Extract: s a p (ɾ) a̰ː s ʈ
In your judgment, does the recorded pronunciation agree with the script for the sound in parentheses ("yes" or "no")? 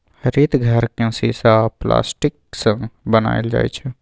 no